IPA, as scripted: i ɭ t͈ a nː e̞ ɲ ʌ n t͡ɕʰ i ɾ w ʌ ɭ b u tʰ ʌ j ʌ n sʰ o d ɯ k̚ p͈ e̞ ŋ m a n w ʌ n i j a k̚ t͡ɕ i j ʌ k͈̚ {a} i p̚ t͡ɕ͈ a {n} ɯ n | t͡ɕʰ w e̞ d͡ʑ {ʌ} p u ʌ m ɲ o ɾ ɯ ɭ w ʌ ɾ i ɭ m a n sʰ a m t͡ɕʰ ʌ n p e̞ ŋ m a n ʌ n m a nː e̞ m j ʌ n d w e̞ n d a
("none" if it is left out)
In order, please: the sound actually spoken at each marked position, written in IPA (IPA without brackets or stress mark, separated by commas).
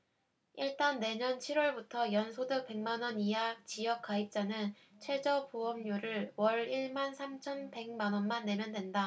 a, n, ʌ